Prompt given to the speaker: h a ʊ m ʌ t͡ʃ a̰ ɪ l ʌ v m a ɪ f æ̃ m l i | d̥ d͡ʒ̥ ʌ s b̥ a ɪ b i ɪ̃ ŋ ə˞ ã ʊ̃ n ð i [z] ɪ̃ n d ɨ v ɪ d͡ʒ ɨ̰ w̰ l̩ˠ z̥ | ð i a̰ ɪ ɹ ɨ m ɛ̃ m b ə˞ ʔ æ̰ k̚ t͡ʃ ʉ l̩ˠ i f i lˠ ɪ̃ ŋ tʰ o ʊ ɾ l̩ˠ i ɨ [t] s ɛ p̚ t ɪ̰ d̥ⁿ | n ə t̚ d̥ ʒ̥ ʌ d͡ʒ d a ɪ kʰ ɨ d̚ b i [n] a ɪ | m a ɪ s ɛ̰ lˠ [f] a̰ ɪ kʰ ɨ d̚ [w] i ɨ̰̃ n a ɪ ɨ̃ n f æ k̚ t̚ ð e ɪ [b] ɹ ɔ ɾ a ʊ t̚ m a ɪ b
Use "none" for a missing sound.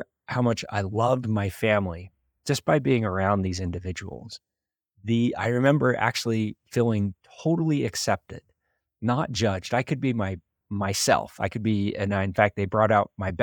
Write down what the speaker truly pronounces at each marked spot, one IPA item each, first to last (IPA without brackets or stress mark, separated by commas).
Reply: z, k, m, f, b, b